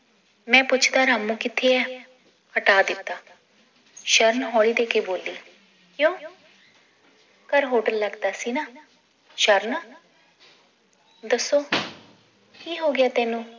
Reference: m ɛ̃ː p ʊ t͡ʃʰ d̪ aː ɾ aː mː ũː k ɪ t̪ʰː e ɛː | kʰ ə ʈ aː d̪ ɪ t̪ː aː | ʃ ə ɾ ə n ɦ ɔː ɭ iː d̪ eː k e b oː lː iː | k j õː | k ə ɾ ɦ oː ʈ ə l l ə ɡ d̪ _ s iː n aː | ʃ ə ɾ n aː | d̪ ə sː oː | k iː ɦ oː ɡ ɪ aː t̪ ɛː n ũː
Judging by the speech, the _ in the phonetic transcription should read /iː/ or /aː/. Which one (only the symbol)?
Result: aː